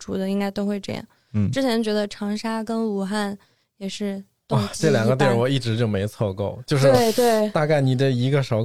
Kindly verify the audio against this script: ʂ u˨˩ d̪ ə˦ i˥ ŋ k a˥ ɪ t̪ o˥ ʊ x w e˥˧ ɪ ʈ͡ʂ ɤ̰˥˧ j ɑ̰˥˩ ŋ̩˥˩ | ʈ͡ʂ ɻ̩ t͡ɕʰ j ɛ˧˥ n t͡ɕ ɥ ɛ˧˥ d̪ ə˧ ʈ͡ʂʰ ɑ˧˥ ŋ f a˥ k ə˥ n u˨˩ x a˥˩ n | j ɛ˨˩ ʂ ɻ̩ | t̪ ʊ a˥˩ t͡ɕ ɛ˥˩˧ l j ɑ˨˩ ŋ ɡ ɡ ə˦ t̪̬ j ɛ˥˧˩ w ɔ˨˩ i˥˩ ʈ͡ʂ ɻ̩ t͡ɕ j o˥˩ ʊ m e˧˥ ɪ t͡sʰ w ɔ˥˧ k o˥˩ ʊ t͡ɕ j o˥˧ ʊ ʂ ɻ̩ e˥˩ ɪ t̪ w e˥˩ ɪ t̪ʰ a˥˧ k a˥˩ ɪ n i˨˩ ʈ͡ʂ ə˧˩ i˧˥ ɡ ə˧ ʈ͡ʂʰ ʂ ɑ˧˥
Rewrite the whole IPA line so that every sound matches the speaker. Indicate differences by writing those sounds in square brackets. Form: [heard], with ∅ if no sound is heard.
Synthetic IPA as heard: [ʈ͡ʂ] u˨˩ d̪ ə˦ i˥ ŋ k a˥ ɪ t̪ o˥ ʊ x w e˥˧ ɪ ʈ͡ʂ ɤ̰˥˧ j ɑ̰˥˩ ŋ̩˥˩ | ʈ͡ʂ ɻ̩ t͡ɕʰ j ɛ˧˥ n t͡ɕ ɥ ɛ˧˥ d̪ ə˧ ʈ͡ʂʰ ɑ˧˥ ŋ [ʂ] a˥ k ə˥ n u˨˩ x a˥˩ n | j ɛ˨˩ ʂ ɻ̩ | t̪ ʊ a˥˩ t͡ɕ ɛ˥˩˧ l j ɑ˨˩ ŋ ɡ ɡ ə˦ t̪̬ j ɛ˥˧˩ w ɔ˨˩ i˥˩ ʈ͡ʂ ɻ̩ t͡ɕ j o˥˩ ʊ m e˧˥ ɪ t͡sʰ w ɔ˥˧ k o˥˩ ʊ t͡ɕ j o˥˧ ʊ ʂ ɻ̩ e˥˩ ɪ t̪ w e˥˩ ɪ [t̪] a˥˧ k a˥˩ ɪ n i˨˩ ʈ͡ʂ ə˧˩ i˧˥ ɡ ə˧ [∅] ʂ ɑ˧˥